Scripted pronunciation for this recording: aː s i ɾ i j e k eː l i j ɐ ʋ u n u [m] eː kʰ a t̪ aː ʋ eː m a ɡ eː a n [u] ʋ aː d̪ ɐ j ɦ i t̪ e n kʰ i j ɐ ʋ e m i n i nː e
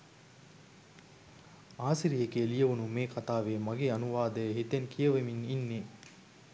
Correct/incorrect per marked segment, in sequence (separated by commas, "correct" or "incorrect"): correct, correct